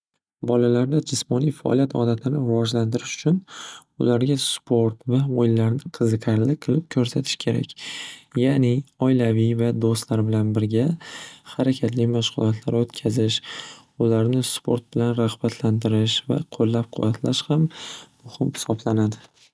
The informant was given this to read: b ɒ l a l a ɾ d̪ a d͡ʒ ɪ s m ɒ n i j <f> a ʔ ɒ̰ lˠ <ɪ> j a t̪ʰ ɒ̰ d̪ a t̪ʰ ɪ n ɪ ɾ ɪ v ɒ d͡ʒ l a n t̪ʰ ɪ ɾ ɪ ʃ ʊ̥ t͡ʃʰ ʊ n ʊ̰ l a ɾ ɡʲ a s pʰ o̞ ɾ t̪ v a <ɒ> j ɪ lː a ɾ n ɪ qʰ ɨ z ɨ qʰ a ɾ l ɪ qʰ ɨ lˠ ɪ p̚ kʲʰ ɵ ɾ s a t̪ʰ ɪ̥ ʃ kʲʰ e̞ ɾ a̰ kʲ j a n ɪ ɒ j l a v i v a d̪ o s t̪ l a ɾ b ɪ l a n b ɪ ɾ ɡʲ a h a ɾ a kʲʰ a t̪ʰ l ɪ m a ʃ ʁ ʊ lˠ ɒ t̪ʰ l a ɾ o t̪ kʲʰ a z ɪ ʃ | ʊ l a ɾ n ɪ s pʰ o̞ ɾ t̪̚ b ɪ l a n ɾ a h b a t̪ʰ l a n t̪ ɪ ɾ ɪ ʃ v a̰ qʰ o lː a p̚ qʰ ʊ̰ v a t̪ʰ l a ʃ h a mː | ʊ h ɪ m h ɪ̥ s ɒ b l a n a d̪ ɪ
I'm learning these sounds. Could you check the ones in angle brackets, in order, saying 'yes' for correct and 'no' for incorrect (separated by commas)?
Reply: yes, no, no